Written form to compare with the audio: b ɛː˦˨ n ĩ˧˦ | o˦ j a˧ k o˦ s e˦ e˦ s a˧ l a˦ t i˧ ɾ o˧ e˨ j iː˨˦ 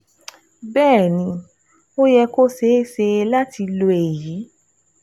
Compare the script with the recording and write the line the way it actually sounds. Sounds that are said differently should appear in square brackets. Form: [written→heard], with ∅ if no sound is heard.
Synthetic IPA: b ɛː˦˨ n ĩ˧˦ | o˦ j [a˧→ɛ˧] k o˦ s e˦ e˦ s [a˧→e˧] l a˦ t i˧ [ɾ→l] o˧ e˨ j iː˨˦